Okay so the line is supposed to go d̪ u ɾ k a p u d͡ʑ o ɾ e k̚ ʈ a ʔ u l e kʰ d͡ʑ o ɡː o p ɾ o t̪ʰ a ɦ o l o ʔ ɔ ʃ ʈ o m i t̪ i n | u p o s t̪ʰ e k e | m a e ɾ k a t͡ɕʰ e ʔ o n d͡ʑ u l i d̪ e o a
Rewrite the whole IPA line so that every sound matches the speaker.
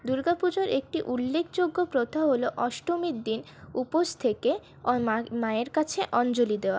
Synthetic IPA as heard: d̪ u ɾ ɡ a p u d͡ʑ o ɾ e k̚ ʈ i ʔ u lː e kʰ d͡ʑ o ɡː o p ɾ o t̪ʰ a ɦ o l o ʔ ɔ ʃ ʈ o m i d̪ i n | u p o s t̪ʰ e k e | m a e ɾ k a t͡ɕʰ e ʔ ɔ n d͡ʑ o l i d̪ e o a